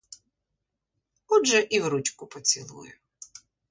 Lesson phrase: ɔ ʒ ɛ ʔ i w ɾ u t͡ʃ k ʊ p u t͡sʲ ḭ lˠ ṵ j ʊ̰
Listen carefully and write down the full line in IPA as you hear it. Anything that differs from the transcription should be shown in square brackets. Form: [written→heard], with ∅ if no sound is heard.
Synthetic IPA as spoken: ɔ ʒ ɛ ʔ i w ɾ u t͡ʃ k ʊ p [u→ɔ] t͡sʲ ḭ lˠ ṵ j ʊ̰